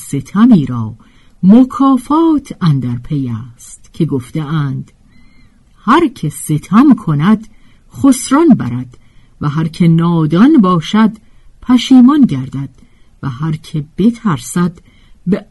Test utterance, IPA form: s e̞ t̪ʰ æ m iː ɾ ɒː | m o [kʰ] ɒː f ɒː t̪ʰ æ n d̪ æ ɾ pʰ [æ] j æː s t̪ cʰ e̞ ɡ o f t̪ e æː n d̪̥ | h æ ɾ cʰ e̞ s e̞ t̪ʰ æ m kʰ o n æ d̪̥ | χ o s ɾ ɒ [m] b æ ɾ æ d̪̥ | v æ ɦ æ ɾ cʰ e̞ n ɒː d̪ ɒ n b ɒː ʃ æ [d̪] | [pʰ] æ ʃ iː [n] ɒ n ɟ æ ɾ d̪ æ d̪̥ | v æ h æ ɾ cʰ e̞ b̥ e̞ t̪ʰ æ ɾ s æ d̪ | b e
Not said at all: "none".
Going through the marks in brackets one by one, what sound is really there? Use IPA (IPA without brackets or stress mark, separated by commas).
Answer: kʰ, e, n, d̪, pʰ, m